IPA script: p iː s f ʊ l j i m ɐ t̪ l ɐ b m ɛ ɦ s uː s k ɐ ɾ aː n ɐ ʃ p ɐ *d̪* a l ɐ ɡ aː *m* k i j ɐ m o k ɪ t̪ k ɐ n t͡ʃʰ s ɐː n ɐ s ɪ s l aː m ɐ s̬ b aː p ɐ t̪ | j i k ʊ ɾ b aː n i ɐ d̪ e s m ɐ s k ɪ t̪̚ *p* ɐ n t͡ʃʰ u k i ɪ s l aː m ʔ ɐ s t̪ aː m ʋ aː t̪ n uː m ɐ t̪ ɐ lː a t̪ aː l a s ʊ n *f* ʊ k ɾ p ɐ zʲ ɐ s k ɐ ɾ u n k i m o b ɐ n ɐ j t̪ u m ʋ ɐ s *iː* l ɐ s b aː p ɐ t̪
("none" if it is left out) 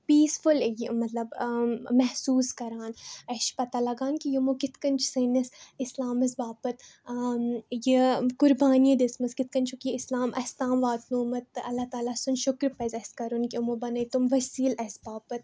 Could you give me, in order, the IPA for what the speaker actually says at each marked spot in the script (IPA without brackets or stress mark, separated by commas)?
t̪, n, k, ʃ, iː